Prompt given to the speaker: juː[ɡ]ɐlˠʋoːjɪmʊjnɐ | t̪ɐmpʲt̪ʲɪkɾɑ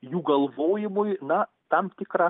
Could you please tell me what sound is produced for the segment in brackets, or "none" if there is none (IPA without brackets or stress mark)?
ɡ